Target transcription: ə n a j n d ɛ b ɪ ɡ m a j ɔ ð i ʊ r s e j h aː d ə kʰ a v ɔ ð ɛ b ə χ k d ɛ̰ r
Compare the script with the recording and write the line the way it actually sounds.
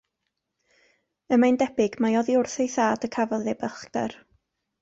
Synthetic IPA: ə m a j n d ɛ b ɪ ɡ m a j ɔ ð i ʊ r θ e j θ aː d ə kʰ a v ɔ ð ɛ b ə χ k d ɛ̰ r

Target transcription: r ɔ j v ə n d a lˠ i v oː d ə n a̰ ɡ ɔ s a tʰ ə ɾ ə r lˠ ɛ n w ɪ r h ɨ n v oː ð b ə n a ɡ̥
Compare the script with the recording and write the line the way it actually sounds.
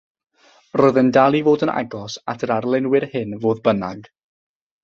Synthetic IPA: r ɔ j ð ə n d a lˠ i v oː d ə n a̰ ɡ ɔ s a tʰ ə ɾ a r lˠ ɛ n w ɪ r h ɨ n v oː ð b ə n a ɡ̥

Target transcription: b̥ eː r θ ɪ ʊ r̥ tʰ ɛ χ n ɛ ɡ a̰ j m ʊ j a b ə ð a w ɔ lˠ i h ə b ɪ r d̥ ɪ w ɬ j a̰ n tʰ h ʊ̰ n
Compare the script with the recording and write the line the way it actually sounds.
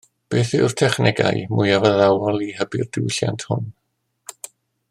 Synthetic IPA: b̥ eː θ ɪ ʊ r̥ tʰ ɛ χ n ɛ ɡ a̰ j m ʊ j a v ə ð a w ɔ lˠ i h ə b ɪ r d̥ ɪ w ɬ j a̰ n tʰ h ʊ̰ n

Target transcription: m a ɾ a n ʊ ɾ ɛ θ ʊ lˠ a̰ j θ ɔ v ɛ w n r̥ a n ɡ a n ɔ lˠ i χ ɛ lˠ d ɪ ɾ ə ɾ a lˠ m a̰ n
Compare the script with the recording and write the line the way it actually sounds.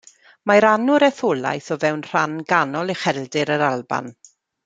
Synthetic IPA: m a ɾ a n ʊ ɾ ɛ θ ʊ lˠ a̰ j θ ɔ v ɛ w n r̥ a n ɡ a n ɔ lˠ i χ ɛ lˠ d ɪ ɾ ə ɾ a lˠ b a̰ n

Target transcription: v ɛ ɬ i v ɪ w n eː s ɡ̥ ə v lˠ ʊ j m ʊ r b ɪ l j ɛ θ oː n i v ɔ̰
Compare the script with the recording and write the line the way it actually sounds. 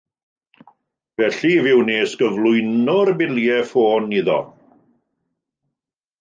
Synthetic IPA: v ɛ ɬ i v ɪ w n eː s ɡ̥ ə v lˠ ʊ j n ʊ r b ɪ l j ɛ f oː n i ð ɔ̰

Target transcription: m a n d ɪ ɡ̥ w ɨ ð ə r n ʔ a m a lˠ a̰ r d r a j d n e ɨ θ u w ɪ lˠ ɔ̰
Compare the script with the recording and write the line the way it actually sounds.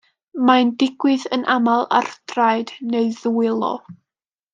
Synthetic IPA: m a n d ɪ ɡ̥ w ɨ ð ə n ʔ a m a lˠ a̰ r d r a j d n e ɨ ð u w ɪ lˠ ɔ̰

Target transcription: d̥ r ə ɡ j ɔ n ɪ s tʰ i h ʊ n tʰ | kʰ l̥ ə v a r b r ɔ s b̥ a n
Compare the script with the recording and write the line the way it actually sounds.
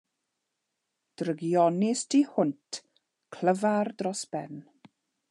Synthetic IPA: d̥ r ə ɡ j ɔ n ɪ s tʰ i h ʊ n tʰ | kʰ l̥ ə v a r d r ɔ s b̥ ɛ n

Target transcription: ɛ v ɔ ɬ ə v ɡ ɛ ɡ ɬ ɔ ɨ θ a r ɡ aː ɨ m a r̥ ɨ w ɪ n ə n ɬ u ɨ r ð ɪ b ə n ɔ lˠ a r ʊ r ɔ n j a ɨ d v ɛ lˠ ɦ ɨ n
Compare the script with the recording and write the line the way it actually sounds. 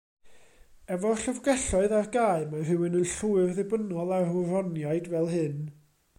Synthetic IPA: ɛ v ɔ ɬ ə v ɡ ɛ ɬ ɔ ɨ ð a r ɡ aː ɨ m a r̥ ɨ w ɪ n ə n ɬ u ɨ r ð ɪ b ə n ɔ lˠ a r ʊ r ɔ n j a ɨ d v ɛ lˠ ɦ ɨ n

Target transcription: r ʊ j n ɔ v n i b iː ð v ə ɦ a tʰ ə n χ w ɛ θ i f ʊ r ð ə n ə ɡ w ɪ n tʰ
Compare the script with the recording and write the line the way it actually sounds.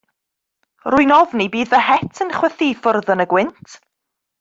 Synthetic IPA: r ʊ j n ɔ v n i b iː ð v ə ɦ ɛ tʰ ə n χ w ɛ θ i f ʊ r ð ə n ə ɡ w ɪ n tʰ

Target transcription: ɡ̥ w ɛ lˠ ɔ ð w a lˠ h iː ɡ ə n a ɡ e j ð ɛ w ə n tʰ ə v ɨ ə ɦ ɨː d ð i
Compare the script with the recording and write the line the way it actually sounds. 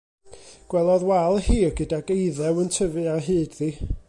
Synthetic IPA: ɡ̥ w ɛ lˠ ɔ ð w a lˠ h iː ɡ ə d a ɡ e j ð ɛ w ə n tʰ ə v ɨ a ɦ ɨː d ð i

